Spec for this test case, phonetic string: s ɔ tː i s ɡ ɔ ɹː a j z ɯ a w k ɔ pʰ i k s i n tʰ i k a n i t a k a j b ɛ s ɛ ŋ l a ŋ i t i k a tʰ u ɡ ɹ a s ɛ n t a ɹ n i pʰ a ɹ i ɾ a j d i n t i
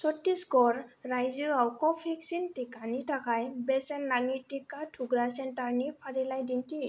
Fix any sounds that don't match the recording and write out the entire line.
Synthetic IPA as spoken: s ɔ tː i s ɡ ɔ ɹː a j z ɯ a w k ɔ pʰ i k s i n t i k a n i t a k a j b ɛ s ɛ n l a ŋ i t i k a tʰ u ɡ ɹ a s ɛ n t a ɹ n i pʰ a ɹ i l a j d i n t i